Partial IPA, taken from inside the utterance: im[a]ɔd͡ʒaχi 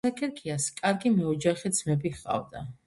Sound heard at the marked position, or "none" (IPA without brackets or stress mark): ɛ